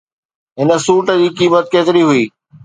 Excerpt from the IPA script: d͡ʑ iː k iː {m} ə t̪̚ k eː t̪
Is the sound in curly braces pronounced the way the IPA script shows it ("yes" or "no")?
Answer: yes